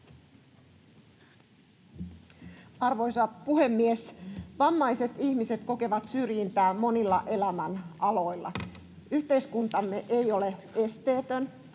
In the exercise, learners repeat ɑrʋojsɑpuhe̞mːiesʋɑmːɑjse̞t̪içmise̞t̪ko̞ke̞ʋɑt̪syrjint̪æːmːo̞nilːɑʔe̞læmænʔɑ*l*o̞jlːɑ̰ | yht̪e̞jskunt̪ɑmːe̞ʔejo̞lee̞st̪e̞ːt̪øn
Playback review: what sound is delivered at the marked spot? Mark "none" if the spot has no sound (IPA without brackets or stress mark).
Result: l